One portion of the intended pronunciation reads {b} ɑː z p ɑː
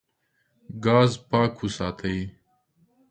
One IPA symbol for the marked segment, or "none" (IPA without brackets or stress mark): ɡ